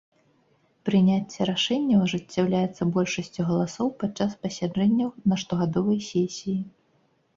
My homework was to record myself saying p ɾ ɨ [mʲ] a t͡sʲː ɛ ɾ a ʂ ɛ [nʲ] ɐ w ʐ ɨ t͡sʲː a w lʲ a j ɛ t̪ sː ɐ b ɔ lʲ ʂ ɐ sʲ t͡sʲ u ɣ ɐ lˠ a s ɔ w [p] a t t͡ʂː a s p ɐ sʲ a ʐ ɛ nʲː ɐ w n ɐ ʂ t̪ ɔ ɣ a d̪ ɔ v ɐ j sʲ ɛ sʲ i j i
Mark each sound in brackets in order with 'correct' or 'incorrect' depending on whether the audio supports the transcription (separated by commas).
incorrect, incorrect, correct